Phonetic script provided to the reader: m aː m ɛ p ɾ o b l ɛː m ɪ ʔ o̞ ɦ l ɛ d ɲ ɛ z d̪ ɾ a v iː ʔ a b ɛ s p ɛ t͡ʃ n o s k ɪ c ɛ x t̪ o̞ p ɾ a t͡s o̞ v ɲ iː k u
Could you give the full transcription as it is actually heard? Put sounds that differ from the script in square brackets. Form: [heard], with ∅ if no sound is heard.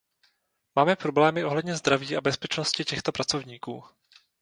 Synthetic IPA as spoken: m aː m ɛ p ɾ o b l ɛː m ɪ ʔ o̞ ɦ l ɛ d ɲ ɛ z d̪ ɾ a v iː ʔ a b ɛ s p ɛ t͡ʃ n o s [c] ɪ c ɛ x t̪ o̞ p ɾ a t͡s o̞ v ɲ iː k [uː]